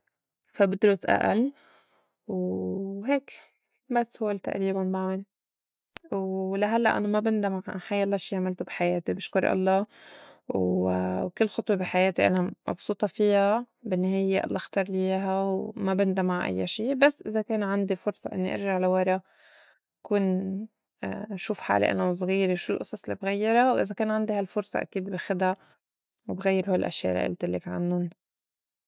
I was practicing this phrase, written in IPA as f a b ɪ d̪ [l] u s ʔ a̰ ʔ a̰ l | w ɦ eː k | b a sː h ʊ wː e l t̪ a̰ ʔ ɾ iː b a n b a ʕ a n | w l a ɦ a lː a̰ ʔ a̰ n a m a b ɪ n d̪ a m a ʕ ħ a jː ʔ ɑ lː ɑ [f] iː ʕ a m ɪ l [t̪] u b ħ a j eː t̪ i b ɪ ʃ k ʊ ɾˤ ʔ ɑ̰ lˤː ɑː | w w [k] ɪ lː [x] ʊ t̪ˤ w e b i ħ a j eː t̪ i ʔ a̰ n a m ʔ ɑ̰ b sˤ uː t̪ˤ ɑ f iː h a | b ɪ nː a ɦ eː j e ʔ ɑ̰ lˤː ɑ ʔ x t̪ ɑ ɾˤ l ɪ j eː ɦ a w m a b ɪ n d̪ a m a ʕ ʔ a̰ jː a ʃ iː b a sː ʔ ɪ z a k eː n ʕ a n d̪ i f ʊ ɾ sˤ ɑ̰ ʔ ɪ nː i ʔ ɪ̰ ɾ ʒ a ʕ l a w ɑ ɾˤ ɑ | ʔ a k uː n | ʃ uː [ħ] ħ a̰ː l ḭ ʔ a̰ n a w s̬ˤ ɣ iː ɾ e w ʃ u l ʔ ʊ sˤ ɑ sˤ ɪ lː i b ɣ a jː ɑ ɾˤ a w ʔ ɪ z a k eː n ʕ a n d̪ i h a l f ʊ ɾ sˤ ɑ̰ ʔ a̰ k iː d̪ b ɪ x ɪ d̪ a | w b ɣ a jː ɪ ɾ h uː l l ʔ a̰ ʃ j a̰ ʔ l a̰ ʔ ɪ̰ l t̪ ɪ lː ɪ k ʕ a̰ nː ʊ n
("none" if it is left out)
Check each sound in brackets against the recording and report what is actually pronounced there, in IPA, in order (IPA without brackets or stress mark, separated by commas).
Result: ɾ, ʃ, t̪, k, x, f